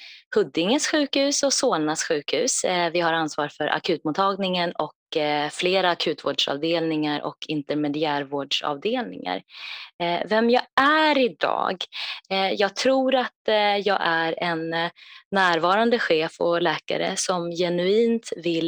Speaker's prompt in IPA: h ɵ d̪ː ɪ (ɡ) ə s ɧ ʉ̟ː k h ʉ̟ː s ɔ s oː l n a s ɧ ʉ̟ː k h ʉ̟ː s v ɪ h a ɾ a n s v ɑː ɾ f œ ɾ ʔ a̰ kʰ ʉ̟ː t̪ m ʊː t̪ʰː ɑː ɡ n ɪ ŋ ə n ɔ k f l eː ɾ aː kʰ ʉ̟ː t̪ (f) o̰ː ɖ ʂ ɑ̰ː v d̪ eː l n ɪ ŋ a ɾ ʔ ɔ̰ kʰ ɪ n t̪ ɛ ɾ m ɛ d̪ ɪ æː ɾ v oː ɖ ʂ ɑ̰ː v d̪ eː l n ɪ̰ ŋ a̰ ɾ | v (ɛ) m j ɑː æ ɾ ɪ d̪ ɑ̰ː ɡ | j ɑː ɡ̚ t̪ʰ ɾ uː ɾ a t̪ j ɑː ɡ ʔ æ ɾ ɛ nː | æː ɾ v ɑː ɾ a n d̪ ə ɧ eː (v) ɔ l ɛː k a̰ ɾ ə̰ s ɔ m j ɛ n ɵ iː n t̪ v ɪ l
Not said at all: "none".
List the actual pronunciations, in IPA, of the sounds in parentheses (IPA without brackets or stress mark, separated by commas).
ŋ, v, ɛ, f